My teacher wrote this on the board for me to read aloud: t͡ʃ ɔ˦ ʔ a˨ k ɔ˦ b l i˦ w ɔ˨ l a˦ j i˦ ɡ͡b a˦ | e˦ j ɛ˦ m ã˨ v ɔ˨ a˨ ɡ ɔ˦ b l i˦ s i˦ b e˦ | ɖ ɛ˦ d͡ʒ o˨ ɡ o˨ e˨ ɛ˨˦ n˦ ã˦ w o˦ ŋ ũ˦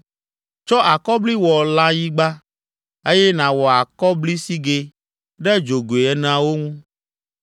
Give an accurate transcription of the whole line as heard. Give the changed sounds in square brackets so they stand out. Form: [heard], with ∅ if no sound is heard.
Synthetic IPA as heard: t͡ʃ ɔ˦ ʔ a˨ k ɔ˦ b l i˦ w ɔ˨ l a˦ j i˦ ɡ͡b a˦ | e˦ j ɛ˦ [n] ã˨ [w] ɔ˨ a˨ [k] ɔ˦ b l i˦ s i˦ [ɡ] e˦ | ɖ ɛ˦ d͡ʒ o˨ ɡ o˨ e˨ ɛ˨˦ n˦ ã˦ w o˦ ŋ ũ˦